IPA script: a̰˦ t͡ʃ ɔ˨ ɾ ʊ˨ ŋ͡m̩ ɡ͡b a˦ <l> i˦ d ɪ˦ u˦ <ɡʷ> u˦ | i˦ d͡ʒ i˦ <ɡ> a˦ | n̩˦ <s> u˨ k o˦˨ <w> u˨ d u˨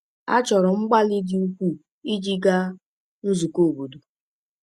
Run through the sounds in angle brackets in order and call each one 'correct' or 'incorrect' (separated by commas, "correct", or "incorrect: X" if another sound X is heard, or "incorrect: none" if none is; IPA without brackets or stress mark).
correct, incorrect: kʷ, correct, incorrect: z, incorrect: b